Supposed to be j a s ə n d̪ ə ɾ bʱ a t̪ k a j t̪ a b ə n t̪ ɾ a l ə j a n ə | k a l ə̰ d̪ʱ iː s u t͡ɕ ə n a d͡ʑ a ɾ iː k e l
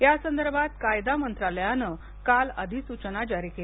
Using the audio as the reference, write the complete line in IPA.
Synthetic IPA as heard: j a s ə n d̪ ə ɾ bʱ a t̪ k a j d̪ a m ə n t̪ ɾ a l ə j a n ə | k a l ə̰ d̪ʱ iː s u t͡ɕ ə n a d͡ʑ a ɾ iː k e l